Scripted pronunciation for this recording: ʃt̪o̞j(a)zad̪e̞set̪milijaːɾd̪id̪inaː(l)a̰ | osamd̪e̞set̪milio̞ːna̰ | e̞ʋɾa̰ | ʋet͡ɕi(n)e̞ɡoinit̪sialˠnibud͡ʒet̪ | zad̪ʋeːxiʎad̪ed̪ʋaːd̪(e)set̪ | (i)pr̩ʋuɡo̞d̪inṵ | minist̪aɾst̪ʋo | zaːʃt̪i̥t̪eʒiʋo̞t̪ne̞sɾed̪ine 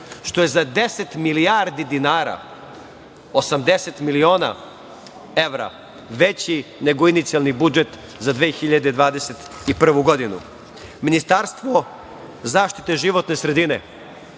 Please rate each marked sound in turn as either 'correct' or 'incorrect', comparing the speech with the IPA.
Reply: incorrect: e, incorrect: ɾ, correct, correct, correct

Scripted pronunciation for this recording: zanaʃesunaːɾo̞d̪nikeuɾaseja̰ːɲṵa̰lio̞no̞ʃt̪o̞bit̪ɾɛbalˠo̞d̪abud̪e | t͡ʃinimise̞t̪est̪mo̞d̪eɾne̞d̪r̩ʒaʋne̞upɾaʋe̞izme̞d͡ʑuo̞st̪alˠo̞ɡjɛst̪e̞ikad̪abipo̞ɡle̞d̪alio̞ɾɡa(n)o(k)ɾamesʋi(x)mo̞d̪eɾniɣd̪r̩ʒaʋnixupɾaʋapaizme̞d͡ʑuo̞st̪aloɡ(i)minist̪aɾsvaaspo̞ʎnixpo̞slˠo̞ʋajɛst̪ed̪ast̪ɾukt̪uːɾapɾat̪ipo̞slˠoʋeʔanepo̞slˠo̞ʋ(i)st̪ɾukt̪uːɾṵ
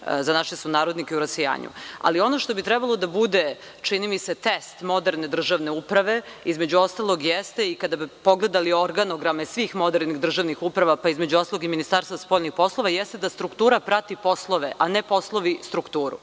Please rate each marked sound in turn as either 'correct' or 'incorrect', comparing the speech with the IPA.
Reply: correct, incorrect: ɡ, correct, correct, correct

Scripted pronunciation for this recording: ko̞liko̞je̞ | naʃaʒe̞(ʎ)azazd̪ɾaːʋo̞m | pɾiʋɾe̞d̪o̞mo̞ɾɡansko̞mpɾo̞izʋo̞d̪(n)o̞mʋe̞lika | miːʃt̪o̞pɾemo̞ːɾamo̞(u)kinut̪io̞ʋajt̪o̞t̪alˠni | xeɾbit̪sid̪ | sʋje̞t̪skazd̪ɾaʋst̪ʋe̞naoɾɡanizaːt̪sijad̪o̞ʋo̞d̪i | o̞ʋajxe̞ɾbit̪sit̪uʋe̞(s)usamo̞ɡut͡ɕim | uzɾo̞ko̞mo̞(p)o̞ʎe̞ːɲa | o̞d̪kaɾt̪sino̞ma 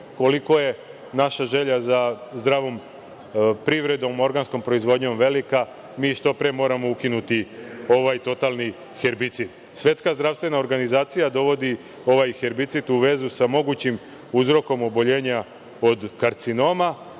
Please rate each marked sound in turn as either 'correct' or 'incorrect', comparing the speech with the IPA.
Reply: correct, incorrect: ɲ, correct, incorrect: z, incorrect: b

